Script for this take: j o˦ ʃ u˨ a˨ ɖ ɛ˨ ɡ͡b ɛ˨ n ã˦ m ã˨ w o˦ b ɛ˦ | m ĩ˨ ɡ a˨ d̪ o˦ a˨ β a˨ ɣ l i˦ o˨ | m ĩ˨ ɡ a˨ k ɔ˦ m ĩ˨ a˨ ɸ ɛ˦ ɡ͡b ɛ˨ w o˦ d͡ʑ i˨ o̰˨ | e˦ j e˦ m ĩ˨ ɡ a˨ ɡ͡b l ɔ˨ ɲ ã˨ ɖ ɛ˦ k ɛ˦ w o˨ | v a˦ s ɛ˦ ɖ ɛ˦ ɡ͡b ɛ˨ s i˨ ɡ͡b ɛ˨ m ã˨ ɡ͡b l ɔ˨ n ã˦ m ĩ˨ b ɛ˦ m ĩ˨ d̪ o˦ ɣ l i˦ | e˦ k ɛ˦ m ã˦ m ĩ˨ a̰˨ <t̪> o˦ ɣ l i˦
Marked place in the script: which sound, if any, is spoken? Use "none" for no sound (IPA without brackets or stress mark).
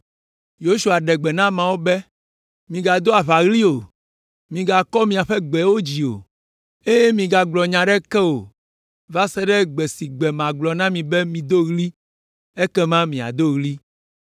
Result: d̪